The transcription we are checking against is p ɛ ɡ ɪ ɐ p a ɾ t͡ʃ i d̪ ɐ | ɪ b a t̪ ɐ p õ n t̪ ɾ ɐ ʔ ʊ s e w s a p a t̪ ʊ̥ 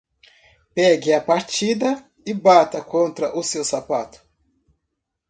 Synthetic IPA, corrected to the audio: p ɛ ɡ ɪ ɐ p a ɾ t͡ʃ i d̪ ɐ | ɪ b a t̪ ɐ k õ n t̪ ɾ ɐ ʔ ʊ s e w s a p a t̪ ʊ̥